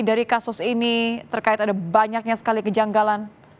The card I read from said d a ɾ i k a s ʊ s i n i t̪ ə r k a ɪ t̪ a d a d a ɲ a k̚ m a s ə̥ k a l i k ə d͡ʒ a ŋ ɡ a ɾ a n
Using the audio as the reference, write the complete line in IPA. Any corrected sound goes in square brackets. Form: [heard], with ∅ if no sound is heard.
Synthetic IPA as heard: d a ɾ i k a s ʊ s i n i t̪ ə r k a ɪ t̪ a d a [b] a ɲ a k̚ [ɲ] a s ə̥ k a l i k ə d͡ʒ a ŋ ɡ a [l] a n